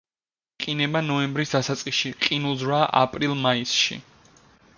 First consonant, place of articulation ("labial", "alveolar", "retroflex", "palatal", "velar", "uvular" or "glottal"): uvular